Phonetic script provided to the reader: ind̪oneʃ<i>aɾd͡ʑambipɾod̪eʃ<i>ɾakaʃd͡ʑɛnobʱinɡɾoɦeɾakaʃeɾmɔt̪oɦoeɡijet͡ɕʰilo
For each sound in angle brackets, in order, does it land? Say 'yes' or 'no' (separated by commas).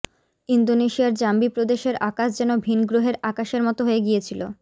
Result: yes, no